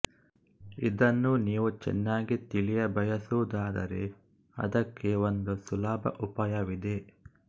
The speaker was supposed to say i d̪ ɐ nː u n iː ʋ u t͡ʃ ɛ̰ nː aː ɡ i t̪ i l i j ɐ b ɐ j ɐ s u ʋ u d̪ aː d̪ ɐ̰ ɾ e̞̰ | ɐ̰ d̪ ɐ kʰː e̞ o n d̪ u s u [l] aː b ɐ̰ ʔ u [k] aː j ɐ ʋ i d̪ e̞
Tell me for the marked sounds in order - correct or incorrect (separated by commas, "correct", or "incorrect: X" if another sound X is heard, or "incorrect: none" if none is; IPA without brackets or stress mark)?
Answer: correct, incorrect: p